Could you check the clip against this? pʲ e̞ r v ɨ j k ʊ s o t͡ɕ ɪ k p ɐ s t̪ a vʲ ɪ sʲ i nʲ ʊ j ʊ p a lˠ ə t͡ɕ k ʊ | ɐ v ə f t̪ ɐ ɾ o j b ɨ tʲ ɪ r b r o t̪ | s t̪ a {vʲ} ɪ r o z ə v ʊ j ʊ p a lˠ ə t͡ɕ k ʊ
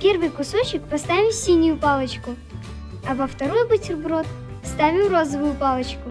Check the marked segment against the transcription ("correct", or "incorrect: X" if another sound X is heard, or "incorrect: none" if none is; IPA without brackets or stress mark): correct